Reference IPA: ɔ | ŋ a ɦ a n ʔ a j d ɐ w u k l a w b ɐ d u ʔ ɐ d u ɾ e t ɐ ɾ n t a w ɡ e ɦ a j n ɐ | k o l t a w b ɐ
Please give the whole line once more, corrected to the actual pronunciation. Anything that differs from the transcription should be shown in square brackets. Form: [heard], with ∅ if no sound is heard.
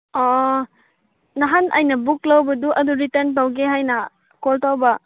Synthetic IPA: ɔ | [n] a ɦ a n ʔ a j [n] ɐ [b] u k l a w b ɐ d u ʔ ɐ d u ɾ [i] t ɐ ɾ n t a w ɡ e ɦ a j n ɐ | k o l t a w b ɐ